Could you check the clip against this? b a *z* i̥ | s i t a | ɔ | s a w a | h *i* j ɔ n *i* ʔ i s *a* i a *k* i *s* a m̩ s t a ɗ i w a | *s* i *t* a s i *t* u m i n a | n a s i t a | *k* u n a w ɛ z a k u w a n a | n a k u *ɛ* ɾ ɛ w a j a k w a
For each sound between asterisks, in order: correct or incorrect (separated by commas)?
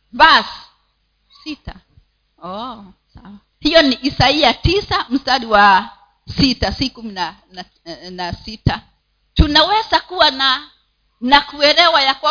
incorrect, correct, correct, correct, incorrect, correct, correct, correct, incorrect, incorrect, correct